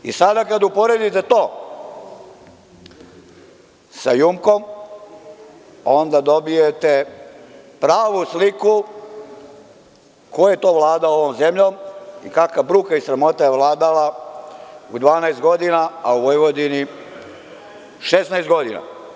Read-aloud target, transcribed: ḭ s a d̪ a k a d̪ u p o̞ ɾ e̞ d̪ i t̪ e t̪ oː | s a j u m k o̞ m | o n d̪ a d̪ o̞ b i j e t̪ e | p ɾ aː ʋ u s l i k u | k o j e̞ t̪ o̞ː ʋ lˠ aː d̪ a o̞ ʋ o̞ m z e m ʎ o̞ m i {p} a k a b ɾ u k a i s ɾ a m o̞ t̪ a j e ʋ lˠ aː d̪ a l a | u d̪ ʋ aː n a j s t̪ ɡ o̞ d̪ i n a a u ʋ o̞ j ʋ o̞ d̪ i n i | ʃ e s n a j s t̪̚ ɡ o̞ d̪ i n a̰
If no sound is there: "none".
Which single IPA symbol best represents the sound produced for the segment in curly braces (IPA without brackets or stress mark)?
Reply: k